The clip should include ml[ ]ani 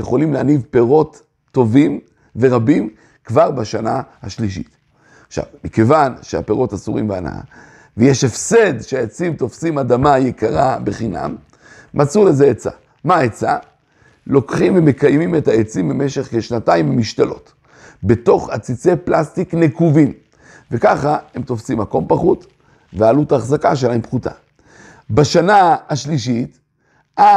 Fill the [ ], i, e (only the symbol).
e